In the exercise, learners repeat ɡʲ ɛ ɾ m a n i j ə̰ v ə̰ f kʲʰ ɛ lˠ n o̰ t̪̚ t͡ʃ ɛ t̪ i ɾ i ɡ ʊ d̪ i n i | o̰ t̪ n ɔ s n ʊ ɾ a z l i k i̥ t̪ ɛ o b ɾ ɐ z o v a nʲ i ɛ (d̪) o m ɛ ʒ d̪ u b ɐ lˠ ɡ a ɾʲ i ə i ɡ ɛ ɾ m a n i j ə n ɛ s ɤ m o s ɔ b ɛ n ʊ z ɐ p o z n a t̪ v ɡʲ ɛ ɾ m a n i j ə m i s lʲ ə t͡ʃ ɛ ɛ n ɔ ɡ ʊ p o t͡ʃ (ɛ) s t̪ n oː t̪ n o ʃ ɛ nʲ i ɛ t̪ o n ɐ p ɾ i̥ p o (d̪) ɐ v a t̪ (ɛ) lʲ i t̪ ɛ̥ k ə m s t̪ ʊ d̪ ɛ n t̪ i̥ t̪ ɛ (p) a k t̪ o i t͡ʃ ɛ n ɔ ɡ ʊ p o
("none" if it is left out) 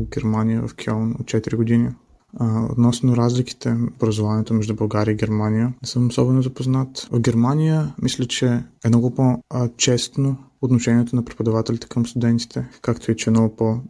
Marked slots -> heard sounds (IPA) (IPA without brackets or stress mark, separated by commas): t̪, ɛ, d̪, ɛ, k